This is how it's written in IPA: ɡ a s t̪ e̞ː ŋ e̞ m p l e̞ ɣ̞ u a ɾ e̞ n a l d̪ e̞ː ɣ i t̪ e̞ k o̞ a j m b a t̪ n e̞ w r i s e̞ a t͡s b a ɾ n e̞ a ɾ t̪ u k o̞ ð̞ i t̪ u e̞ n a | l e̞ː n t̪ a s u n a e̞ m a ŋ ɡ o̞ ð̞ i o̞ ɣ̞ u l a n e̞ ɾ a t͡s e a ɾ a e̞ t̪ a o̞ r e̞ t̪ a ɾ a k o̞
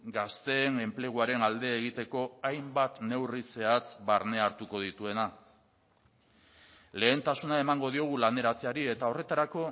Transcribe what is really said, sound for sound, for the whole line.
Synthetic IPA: ɡ a s t̪ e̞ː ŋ e̞ m p l e̞ ɣ̞ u a ɾ e̞ n a l d̪ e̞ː ɣ i t̪ e̞ k o̞ a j m b a t̪ n e̞ w r i s e̞ a t͡s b a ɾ n e̞ a ɾ t̪ u k o̞ ð̞ i t̪ u e̞ n a | l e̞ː n t̪ a s u n a e̞ m a ŋ ɡ o̞ ð̞ i o̞ ɣ̞ u l a n e̞ ɾ a t͡s e a ɾ i e̞ t̪ a o̞ r e̞ t̪ a ɾ a k o̞